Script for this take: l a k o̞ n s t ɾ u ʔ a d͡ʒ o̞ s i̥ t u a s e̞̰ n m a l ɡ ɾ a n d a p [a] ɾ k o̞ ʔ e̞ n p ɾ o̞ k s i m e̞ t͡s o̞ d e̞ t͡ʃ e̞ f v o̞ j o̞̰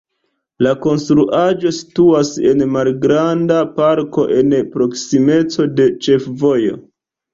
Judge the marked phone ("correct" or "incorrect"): correct